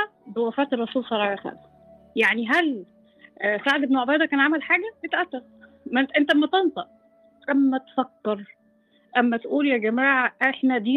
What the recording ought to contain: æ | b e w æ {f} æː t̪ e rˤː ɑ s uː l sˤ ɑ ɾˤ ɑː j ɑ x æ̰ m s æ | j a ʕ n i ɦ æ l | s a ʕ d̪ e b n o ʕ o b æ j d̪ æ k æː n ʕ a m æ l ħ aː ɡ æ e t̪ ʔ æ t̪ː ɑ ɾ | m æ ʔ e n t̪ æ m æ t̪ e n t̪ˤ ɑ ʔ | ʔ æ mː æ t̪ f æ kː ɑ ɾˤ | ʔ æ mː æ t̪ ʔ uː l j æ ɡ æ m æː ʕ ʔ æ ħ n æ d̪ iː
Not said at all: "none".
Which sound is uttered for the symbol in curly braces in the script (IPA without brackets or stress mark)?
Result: f